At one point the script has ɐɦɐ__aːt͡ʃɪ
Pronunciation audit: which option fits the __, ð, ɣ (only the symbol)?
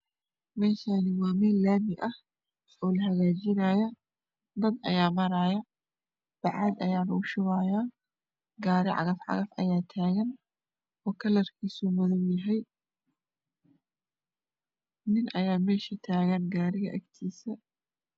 ɣ